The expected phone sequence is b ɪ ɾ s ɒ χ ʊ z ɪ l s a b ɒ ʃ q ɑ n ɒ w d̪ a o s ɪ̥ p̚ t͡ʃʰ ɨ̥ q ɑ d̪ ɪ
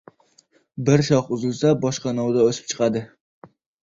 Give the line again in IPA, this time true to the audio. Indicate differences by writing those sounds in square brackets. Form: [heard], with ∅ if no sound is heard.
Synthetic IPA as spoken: b ɪ ɾ [ʃ] ɒ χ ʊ z ɪ l s a b ɒ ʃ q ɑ n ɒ w d̪ a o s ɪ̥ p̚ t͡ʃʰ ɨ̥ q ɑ d̪ ɪ